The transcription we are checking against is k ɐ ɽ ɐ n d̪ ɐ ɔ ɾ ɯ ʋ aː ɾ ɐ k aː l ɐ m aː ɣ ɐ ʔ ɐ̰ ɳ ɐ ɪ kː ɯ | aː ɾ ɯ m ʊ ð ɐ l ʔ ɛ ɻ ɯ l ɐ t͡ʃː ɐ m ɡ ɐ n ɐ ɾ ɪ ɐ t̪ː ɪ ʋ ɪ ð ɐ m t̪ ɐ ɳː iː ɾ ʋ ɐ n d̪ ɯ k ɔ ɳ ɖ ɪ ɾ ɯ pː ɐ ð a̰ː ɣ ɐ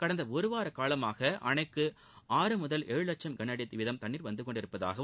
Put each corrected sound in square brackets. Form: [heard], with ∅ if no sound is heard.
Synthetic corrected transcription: k ɐ ɽ ɐ n d̪ ɐ ɔ ɾ ɯ ʋ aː ɾ ɐ k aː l ɐ m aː ɣ ɐ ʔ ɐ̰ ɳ ɐ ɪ kː ɯ | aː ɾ ɯ m ʊ ð ɐ l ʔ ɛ ɻ ɯ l ɐ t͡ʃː ɐ m ɡ ɐ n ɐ [ɽ] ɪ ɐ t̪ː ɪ ʋ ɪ ð ɐ m t̪ ɐ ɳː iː ɾ ʋ ɐ n d̪ ɯ k ɔ ɳ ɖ ɪ ɾ ɯ pː ɐ ð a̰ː ɣ ɐ

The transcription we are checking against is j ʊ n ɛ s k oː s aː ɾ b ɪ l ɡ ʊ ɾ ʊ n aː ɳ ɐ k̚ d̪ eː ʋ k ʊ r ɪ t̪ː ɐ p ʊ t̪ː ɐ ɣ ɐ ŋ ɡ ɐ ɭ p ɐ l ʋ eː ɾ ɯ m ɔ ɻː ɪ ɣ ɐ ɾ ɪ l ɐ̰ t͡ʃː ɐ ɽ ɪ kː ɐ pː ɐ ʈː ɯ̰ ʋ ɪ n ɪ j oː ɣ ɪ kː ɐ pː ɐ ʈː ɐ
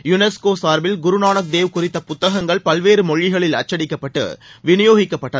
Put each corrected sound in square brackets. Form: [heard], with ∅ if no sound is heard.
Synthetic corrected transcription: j ʊ n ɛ s k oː s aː ɾ b ɪ l ɡ ʊ ɾ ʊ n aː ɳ ɐ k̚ d̪ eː ʋ k ʊ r ɪ t̪ː ɐ p ʊ t̪ː ɐ ɣ ɐ ŋ ɡ ɐ ɭ p ɐ l ʋ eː ɾ ɯ m ɔ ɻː ɪ ɣ ɐ [ɭ] ɪ l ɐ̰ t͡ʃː ɐ ɽ ɪ kː ɐ pː ɐ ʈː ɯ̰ ʋ ɪ n ɪ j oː ɣ ɪ kː ɐ pː ɐ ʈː ɐ

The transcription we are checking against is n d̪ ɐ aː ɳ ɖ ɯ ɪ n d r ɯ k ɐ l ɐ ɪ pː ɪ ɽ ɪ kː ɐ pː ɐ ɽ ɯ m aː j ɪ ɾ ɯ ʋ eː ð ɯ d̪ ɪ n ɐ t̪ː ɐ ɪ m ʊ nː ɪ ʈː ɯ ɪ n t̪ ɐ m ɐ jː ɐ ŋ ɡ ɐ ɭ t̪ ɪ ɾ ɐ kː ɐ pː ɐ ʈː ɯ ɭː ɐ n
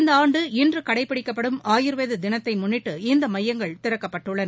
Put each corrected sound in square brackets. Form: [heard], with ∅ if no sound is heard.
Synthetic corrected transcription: n d̪ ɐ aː ɳ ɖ ɯ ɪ n d r ɯ k ɐ [ɽ] ɐ ɪ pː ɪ ɽ ɪ kː ɐ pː ɐ ɽ ɯ m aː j ɪ ɾ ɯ ʋ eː ð ɯ d̪ ɪ n ɐ t̪ː ɐ ɪ m ʊ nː ɪ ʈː ɯ ɪ n [d̪] ɐ m ɐ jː ɐ ŋ ɡ ɐ ɭ t̪ ɪ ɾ ɐ kː ɐ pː ɐ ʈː ɯ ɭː ɐ n

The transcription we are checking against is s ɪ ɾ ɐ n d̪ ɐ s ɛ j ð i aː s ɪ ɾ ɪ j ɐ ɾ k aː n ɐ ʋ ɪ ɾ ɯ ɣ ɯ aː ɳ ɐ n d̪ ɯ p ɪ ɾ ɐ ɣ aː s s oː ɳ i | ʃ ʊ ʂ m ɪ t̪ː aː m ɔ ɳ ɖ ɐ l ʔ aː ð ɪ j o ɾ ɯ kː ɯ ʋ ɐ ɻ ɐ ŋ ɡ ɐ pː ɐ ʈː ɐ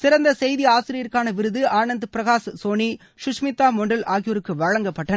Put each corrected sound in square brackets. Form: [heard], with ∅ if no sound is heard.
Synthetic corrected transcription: s ɪ ɾ ɐ n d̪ ɐ s ɛ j ð i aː s ɪ ɾ ɪ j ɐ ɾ k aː n ɐ ʋ ɪ ɾ ɯ [ð] ɯ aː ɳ ɐ n d̪ ɯ p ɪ ɾ ɐ ɣ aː s s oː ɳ i | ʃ ʊ ʂ m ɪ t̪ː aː m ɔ ɳ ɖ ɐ l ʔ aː [ɣ] ɪ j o ɾ ɯ kː ɯ ʋ ɐ ɻ ɐ ŋ ɡ ɐ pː ɐ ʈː ɐ

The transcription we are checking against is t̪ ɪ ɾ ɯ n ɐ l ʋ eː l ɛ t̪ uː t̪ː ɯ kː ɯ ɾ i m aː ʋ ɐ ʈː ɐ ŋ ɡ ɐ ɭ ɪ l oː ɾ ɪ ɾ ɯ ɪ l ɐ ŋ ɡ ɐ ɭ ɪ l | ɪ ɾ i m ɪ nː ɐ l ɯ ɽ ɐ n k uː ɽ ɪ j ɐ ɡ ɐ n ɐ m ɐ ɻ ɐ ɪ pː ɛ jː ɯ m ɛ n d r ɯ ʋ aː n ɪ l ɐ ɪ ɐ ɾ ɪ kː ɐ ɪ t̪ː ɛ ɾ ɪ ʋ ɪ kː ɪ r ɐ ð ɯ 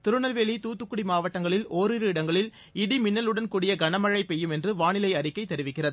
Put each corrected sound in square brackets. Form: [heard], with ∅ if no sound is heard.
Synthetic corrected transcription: t̪ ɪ ɾ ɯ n ɐ l ʋ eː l [i] t̪ uː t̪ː ɯ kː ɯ [ɽ] i m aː ʋ ɐ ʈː ɐ ŋ ɡ ɐ ɭ ɪ l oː ɾ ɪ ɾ ɯ ɪ [ɽ] ɐ ŋ ɡ ɐ ɭ ɪ l | ɪ [ɽ] i m ɪ nː ɐ l ɯ ɽ ɐ n k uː ɽ ɪ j ɐ ɡ ɐ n ɐ m ɐ ɻ ɐ ɪ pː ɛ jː ɯ m ɛ n d r ɯ ʋ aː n ɪ l ɐ ɪ ɐ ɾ ɪ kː ɐ ɪ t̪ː ɛ ɾ ɪ ʋ ɪ kː ɪ r ɐ ð ɯ

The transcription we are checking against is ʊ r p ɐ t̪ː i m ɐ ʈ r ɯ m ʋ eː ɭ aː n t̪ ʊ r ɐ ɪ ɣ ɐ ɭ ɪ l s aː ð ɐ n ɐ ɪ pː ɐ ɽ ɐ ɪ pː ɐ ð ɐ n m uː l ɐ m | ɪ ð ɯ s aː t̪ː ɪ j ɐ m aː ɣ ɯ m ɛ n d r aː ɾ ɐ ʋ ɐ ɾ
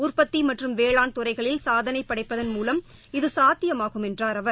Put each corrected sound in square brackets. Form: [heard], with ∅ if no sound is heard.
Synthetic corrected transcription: ʊ r p ɐ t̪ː i m ɐ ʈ r ɯ m ʋ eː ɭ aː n t̪ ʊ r ɐ ɪ ɣ ɐ ɭ ɪ l s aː ð ɐ n ɐ ɪ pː ɐ ɽ ɐ ɪ pː ɐ ð ɐ n m uː l ɐ m | ɪ ð ɯ s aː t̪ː ɪ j ɐ m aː ɣ ɯ m ɛ n d r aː ɾ ɐ ʋ ɐ ɾ

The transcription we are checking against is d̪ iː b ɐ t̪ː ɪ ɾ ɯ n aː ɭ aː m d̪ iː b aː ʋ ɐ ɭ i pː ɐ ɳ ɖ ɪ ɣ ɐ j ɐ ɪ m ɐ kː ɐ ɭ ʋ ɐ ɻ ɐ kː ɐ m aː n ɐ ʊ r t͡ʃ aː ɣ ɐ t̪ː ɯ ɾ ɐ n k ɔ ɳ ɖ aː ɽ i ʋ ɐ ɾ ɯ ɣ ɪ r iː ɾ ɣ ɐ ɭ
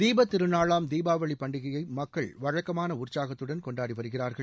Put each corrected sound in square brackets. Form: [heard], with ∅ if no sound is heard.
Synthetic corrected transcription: d̪ iː b ɐ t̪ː ɪ ɾ ɯ n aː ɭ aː m d̪ iː b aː ʋ ɐ ɭ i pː ɐ ɳ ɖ ɪ ɣ ɐ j ɐ ɪ m ɐ kː ɐ ɭ ʋ ɐ ɻ ɐ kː ɐ m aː n ɐ ʊ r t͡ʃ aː ɣ ɐ t̪ː ɯ [ɽ] ɐ n k ɔ ɳ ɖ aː ɽ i ʋ ɐ ɾ ɯ ɣ ɪ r [aː] ɾ ɣ ɐ ɭ

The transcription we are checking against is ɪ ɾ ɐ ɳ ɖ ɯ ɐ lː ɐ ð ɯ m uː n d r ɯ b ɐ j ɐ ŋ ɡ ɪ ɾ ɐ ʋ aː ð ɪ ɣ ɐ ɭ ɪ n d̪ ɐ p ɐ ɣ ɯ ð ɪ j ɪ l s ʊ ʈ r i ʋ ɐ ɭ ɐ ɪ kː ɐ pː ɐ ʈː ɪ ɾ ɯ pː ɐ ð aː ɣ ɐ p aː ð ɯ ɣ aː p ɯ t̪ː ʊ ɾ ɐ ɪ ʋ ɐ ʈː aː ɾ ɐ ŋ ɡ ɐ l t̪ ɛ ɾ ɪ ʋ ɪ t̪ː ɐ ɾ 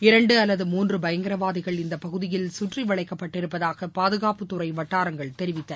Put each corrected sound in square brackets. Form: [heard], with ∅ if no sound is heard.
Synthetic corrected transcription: ɪ ɾ ɐ ɳ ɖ ɯ ɐ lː ɐ ð ɯ m uː n d r ɯ b ɐ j ɐ ŋ ɡ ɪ ɾ ɐ ʋ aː ð ɪ ɣ ɐ ɭ ɪ n d̪ ɐ p ɐ ɣ ɯ ð ɪ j ɪ l s ʊ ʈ r i ʋ ɐ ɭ ɐ ɪ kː ɐ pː ɐ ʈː ɪ ɾ ɯ pː ɐ ð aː ɣ ɐ p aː ð ɯ ɣ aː p ɯ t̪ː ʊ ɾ ɐ ɪ ʋ ɐ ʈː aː ɾ ɐ ŋ ɡ ɐ [ɭ] t̪ ɛ ɾ ɪ ʋ ɪ t̪ː ɐ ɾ

